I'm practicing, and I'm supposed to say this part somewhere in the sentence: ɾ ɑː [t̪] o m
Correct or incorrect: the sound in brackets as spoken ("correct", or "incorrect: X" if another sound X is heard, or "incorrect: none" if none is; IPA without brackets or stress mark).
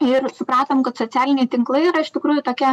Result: correct